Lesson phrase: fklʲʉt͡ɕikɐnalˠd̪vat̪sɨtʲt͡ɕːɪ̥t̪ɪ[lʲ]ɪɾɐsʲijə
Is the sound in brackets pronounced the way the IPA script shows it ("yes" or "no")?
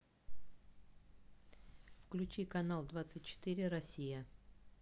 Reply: no